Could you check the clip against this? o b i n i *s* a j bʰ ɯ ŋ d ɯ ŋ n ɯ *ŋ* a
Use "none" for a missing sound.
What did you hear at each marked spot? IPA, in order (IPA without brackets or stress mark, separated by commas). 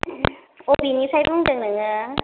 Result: s, ŋ